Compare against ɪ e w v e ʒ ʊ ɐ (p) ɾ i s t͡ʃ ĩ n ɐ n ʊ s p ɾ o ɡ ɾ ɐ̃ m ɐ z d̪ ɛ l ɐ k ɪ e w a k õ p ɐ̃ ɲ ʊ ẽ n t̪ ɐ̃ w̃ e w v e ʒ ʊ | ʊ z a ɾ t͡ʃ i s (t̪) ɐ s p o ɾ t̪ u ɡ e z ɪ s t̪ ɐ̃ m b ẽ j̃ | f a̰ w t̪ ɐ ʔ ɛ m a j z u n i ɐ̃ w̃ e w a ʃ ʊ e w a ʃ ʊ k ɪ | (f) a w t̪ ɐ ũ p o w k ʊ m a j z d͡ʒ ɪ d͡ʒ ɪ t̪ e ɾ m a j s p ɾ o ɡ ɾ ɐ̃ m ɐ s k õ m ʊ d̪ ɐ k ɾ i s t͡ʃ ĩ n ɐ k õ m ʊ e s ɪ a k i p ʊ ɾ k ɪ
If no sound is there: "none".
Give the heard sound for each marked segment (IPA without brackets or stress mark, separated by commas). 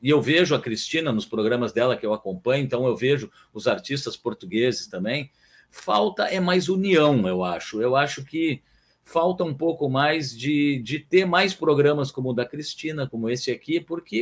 k, t̪, f